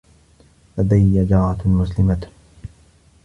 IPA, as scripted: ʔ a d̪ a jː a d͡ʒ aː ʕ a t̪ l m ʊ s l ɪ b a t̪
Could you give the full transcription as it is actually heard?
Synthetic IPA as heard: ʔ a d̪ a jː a d͡ʒ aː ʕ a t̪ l m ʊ s l ɪ m a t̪